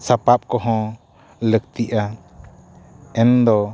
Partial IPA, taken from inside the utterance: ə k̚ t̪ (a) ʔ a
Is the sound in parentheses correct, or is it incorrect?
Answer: incorrect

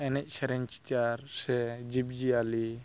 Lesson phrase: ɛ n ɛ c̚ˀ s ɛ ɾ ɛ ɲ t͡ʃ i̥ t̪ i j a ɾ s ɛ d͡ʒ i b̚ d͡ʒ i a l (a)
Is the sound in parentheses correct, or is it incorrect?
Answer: incorrect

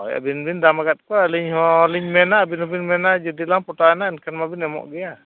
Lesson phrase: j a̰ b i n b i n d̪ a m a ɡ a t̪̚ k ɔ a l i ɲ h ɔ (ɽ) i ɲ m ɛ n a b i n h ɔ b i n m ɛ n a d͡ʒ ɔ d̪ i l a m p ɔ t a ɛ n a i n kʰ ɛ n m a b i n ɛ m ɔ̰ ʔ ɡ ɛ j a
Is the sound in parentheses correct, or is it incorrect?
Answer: incorrect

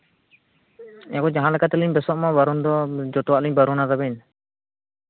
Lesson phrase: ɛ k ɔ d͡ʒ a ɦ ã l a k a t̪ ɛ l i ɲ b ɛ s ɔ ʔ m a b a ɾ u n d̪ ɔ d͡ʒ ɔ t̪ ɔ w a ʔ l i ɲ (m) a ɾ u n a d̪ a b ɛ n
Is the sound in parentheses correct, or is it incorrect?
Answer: incorrect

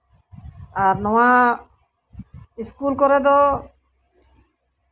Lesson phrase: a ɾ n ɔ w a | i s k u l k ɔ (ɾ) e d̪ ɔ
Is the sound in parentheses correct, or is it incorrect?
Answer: correct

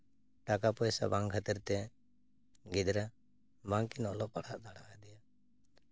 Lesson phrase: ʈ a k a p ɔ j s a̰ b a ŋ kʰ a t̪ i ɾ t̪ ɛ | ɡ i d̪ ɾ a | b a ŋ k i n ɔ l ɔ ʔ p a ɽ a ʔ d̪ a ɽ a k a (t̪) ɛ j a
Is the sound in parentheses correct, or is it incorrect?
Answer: incorrect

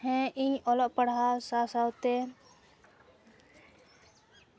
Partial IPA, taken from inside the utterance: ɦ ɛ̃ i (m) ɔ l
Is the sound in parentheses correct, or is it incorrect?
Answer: incorrect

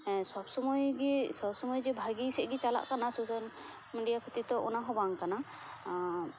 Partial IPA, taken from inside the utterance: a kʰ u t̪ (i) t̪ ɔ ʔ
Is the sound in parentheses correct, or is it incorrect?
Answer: correct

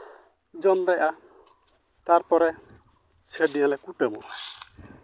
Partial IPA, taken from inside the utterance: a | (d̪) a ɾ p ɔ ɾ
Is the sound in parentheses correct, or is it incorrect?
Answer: incorrect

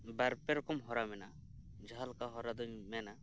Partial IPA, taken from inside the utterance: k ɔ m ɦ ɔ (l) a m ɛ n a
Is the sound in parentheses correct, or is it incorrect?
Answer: incorrect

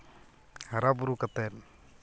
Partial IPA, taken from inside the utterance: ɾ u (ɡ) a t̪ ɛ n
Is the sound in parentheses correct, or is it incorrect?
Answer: incorrect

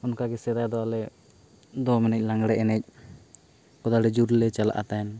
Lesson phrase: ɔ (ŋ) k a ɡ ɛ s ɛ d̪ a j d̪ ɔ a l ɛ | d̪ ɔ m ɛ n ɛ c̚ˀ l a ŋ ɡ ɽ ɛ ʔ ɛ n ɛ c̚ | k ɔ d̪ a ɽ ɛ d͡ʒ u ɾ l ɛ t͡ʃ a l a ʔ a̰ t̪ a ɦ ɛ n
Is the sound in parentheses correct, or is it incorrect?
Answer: incorrect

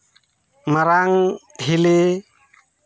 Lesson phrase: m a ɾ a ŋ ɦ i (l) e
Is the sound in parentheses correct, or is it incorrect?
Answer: correct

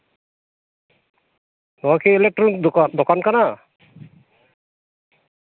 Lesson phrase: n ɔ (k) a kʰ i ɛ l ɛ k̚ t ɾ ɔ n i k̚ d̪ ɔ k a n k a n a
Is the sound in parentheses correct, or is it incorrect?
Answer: incorrect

